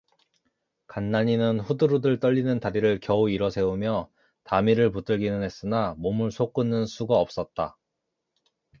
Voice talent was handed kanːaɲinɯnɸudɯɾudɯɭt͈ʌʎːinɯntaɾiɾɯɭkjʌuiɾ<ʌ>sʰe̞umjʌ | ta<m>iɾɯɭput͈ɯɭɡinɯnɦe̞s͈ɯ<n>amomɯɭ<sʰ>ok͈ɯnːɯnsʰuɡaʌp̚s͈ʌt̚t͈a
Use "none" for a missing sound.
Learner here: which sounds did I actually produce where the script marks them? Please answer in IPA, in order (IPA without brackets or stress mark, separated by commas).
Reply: ʌ, m, n, sʰ